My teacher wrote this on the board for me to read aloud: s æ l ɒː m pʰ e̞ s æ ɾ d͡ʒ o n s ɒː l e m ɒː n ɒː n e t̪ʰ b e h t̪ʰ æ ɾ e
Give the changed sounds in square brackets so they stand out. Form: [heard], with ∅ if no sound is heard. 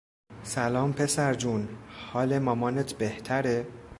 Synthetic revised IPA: s æ l ɒː m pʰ e̞ s æ ɾ d͡ʒ [u] n [h] ɒː l e m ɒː [m] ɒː n e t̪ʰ b e h t̪ʰ æ ɾ e